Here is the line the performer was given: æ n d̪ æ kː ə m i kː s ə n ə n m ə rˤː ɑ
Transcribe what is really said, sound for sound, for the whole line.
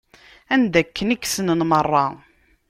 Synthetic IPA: æ n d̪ æ kː ə n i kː s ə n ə n m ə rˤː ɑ